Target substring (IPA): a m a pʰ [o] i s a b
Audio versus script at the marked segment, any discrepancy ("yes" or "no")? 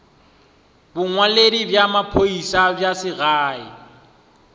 no